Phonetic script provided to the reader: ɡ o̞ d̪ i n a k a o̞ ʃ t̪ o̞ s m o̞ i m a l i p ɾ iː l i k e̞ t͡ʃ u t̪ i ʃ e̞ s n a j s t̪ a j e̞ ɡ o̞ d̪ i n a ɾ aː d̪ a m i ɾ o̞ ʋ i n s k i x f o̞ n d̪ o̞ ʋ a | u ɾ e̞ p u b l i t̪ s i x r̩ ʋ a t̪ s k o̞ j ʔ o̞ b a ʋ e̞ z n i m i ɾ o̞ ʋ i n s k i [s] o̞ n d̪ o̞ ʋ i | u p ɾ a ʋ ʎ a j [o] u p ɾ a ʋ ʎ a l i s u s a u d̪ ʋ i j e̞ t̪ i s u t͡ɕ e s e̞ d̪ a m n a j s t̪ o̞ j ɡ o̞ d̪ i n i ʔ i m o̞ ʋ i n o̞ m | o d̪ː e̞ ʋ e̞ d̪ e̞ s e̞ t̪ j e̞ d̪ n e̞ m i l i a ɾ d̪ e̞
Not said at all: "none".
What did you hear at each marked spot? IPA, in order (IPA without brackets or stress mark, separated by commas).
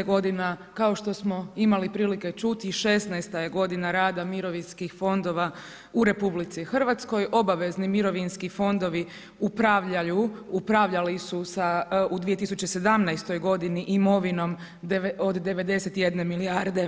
f, u